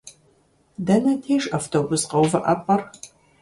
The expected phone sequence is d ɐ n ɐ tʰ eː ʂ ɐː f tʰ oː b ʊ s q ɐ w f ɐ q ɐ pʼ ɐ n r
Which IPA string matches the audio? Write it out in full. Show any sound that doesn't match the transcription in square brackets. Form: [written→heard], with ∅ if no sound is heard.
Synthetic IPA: d ɐ n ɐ tʰ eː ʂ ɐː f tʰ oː b ʊ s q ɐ w [f→v] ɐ [q→ʔ] ɐ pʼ ɐ [n→∅] r